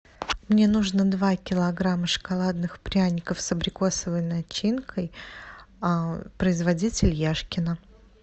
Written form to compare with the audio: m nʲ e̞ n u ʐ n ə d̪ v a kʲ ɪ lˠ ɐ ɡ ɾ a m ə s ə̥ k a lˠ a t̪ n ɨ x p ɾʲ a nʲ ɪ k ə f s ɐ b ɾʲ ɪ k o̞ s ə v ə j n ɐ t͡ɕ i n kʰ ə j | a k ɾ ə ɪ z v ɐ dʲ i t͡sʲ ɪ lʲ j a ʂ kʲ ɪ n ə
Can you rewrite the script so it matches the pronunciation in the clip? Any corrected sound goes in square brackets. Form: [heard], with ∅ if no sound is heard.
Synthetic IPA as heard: m nʲ e̞ n u ʐ n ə d̪ v a kʲ ɪ lˠ ɐ ɡ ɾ a m ə [ʂ] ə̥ k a lˠ a [d̪] n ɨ x p ɾʲ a nʲ ɪ k ə f s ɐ b ɾʲ ɪ k o̞ s ə v ə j n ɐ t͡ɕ i n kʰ ə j | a [p] ɾ ə ɪ z v ɐ dʲ i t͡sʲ ɪ lʲ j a ʂ kʲ ɪ n ə